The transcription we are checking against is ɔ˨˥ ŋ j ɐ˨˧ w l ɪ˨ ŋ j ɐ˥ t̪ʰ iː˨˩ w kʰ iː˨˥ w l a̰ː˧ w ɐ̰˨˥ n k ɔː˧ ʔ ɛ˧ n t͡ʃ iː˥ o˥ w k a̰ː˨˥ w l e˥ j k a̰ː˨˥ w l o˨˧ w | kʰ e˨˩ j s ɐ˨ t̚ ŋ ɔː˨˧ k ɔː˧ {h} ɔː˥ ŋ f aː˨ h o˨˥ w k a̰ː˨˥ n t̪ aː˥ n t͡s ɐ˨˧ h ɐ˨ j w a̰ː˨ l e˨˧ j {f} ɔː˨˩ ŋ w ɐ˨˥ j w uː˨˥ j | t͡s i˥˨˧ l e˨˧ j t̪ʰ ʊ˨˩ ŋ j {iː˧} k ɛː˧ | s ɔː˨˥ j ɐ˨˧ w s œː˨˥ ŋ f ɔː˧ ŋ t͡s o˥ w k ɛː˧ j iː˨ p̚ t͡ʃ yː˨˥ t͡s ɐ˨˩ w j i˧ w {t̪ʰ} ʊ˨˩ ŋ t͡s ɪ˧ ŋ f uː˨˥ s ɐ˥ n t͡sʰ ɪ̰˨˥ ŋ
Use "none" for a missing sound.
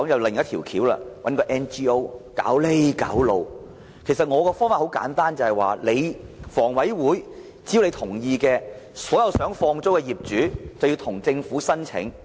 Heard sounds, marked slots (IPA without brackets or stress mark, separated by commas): f, f, iː˧, t̪ʰ